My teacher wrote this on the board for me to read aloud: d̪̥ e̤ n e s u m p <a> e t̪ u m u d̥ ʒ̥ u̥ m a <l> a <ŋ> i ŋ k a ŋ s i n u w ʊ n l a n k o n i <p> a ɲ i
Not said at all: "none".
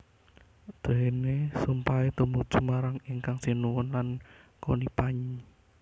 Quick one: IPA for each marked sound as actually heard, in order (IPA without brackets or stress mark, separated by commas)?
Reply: a, ɾ, ŋ, p